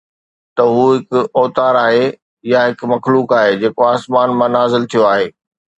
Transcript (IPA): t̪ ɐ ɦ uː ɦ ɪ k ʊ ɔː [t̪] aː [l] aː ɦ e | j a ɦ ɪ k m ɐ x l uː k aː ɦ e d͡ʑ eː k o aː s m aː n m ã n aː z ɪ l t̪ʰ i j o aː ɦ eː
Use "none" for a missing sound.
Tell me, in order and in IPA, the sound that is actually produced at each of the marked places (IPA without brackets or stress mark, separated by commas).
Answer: t̪, ɾ